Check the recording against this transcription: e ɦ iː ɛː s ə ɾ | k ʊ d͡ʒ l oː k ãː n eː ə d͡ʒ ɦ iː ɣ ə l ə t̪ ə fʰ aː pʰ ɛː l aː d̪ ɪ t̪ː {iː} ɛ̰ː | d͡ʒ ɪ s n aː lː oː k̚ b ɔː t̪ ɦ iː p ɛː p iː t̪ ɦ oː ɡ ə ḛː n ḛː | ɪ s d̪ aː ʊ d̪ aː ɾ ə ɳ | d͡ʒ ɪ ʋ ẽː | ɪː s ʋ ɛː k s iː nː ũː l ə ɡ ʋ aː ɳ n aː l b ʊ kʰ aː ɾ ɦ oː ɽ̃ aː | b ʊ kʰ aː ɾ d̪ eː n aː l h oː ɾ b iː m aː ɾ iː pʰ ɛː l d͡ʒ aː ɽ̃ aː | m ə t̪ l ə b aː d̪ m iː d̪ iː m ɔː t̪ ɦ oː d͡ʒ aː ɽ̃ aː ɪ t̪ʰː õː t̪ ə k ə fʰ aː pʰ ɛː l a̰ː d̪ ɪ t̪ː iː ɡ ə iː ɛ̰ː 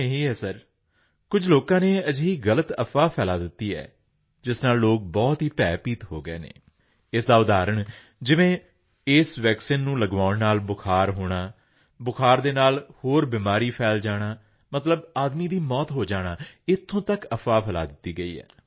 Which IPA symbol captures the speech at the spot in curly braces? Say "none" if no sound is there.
iː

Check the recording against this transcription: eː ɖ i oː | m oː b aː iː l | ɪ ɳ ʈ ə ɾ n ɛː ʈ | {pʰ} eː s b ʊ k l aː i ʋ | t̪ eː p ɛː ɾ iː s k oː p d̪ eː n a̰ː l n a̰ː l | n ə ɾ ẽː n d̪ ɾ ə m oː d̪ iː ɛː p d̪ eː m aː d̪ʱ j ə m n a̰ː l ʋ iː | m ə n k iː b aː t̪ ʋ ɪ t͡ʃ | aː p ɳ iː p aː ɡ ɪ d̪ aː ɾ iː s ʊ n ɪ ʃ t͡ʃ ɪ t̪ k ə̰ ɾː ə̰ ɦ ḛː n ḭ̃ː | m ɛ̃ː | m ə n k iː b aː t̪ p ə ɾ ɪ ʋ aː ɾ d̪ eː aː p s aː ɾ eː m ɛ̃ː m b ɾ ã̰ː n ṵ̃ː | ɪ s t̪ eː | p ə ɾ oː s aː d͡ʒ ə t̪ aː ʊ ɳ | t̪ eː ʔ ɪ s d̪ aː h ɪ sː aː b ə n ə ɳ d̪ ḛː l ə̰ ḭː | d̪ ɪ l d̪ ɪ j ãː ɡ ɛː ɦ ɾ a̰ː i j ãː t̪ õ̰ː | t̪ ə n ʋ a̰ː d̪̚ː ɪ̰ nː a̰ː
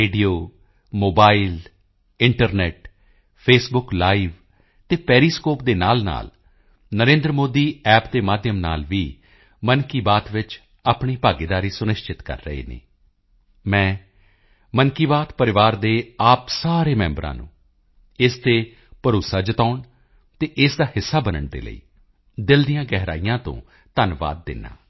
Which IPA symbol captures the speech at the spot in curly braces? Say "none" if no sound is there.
pʰ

